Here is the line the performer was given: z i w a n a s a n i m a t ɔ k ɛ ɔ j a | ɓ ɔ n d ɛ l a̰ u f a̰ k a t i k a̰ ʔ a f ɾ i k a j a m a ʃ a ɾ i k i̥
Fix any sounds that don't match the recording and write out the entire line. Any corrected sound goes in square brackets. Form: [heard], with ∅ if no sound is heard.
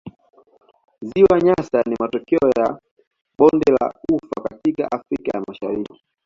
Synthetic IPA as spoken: z i w a [ɲ] a s a n i m a t ɔ k ɛ ɔ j a | ɓ ɔ n d ɛ l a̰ u f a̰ k a t i k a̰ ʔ a f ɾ i k a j a m a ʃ a ɾ i k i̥